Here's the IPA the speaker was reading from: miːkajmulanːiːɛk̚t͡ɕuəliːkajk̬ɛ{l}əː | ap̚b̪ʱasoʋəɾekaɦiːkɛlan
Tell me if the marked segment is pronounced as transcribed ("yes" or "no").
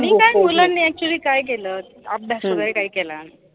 yes